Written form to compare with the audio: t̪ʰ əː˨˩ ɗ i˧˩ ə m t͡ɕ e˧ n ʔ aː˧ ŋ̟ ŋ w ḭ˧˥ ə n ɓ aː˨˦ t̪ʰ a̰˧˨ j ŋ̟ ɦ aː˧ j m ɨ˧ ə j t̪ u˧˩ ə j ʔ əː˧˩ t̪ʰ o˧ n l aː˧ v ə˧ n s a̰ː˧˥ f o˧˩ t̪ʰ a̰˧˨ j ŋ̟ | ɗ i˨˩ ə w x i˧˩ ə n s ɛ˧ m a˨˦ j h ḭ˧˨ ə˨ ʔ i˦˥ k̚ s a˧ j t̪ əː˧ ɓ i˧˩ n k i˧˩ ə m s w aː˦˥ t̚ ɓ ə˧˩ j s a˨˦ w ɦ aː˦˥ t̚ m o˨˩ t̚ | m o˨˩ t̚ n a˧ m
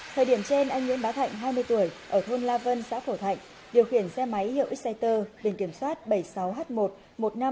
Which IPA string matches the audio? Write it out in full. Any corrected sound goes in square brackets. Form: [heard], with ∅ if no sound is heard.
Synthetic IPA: t̪ʰ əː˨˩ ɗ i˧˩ ə m t͡ɕ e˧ n ʔ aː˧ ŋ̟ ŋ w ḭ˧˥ ə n ɓ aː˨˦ t̪ʰ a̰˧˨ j ŋ̟ ɦ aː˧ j m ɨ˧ ə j t̪ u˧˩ ə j ʔ əː˧˩ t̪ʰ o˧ n l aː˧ v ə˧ n s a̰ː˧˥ f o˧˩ t̪ʰ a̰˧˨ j ŋ̟ | ɗ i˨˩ ə w x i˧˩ ə n s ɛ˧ m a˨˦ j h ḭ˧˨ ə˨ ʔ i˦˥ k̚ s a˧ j t̪ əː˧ ɓ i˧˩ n k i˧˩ ə m s w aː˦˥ t̚ ɓ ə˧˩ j s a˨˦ w ɦ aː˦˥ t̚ m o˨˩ t̚ | m o˨˩ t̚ n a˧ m